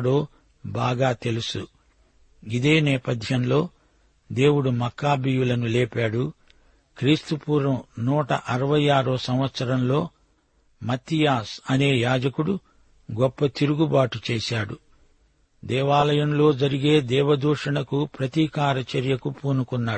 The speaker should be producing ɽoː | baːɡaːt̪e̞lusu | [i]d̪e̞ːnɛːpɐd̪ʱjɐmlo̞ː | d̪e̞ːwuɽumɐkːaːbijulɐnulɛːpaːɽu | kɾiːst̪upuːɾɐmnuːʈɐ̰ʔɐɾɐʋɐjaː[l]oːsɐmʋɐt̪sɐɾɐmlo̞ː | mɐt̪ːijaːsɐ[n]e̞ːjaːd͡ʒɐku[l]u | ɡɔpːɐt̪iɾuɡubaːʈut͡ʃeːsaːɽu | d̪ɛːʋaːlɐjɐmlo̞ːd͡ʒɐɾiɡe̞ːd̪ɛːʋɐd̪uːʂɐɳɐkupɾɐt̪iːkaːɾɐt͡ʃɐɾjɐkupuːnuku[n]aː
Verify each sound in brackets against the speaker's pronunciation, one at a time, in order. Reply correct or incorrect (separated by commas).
correct, incorrect, correct, incorrect, incorrect